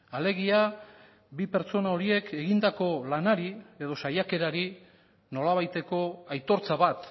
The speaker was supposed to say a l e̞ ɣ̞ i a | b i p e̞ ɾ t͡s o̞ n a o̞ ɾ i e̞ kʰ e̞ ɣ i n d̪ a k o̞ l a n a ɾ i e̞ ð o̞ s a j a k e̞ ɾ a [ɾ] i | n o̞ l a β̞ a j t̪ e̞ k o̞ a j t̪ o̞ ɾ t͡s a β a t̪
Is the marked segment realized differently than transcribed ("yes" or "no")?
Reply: no